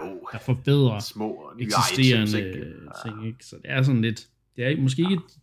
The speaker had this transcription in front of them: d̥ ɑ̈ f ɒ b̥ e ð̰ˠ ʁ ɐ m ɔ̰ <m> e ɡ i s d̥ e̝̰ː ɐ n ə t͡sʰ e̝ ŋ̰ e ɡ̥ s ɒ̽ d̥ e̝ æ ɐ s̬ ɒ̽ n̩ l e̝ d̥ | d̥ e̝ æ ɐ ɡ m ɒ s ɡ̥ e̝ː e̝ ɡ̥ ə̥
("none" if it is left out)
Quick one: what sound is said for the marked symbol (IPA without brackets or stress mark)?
none